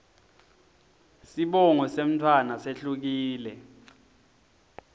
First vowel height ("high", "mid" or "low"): high